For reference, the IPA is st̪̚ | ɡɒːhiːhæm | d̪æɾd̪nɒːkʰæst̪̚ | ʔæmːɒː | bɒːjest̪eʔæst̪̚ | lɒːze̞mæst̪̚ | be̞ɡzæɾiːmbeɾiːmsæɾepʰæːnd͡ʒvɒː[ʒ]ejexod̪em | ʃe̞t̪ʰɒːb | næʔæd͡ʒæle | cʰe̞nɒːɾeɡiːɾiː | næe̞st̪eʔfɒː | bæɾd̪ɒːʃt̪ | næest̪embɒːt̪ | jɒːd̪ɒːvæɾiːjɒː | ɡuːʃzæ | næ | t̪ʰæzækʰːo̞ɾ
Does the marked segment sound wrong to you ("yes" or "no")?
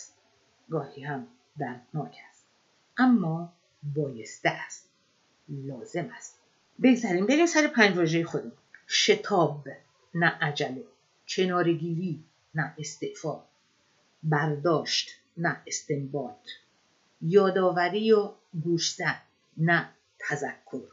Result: no